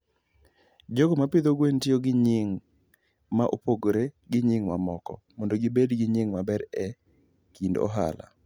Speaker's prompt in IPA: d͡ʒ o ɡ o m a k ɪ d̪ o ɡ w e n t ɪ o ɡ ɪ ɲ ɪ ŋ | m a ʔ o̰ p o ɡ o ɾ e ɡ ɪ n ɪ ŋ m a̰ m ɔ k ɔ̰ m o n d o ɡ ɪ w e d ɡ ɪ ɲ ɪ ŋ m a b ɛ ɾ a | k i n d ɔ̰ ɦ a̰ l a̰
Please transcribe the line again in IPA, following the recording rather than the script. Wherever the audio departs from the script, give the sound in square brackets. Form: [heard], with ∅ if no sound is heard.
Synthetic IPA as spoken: d͡ʒ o ɡ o m a [p] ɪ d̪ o ɡ w e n t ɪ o ɡ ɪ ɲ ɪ ŋ | m a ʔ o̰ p o ɡ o ɾ e ɡ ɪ [ɲ] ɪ ŋ m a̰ m ɔ k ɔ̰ m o n d o ɡ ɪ [b] e d ɡ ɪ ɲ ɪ ŋ m a b ɛ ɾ [ɛ] | k i n d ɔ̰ ɦ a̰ l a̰